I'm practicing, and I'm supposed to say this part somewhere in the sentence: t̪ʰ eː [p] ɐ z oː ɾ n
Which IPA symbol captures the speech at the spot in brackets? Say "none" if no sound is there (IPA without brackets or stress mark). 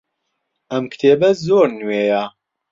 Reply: b